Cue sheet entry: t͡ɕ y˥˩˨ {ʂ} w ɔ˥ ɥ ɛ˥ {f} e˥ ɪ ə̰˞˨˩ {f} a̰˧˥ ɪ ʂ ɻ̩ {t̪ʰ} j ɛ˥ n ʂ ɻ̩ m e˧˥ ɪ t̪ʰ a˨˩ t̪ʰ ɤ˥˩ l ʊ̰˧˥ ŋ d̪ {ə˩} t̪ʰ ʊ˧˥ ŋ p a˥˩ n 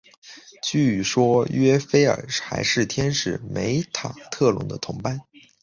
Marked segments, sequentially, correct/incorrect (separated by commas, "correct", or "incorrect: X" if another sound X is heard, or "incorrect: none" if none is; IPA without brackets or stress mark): correct, correct, incorrect: x, correct, incorrect: ə˧